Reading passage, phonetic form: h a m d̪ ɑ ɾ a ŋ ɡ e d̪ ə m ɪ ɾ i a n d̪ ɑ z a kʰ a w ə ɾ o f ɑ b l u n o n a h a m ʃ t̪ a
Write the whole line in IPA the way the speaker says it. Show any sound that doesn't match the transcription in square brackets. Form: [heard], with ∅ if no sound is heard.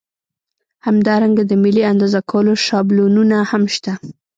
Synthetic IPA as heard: h a m d̪ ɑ ɾ a ŋ ɡ [a] d̪ ə m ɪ [l] i a n d̪ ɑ z a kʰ a w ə [l] o [ʃ] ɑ b l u n [u] n a h a m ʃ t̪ a